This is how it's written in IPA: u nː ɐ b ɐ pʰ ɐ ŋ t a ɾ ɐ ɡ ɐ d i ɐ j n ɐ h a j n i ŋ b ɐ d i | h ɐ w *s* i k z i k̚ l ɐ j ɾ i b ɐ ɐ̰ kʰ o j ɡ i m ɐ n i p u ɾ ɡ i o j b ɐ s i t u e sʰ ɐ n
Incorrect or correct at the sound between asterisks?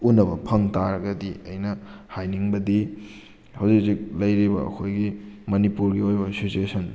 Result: incorrect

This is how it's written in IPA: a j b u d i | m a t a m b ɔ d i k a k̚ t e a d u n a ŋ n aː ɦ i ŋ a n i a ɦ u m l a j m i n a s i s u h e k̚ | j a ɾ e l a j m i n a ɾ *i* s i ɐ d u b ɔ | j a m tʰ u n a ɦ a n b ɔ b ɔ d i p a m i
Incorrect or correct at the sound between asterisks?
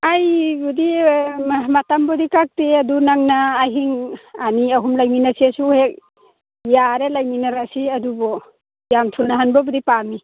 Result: incorrect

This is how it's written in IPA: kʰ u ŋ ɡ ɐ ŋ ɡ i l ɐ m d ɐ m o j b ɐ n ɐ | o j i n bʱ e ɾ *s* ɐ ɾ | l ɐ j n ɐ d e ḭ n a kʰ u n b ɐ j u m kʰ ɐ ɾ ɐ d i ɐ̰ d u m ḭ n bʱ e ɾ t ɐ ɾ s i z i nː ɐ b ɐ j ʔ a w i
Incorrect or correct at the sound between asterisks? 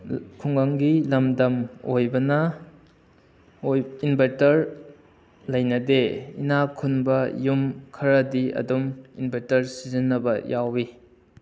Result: incorrect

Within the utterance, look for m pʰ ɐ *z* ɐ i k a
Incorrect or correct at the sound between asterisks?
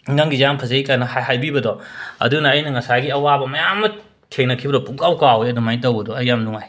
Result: correct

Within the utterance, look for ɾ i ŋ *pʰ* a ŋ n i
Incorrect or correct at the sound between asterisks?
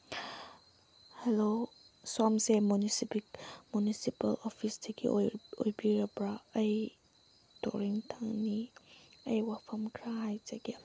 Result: incorrect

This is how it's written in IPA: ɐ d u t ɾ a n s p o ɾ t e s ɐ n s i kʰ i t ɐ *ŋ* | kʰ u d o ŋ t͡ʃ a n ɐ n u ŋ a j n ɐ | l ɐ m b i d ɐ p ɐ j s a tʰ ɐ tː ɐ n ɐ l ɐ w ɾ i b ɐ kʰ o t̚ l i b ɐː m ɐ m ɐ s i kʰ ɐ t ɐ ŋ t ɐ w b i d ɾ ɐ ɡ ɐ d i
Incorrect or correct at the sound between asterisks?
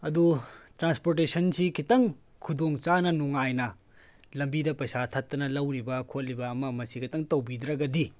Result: correct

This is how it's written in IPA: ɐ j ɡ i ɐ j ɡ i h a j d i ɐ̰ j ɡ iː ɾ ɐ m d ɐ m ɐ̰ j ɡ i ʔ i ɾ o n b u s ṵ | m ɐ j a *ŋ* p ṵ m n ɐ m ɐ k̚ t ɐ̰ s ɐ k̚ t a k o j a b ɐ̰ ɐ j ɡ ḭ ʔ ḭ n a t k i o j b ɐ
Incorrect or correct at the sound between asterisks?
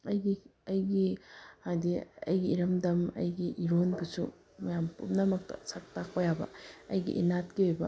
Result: incorrect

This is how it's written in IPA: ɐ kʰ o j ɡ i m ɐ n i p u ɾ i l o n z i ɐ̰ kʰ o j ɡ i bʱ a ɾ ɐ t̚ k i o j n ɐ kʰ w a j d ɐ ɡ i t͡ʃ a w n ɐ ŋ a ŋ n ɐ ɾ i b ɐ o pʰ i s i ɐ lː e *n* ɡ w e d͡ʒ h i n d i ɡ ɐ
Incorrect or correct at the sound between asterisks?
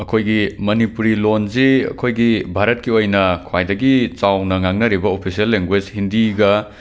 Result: incorrect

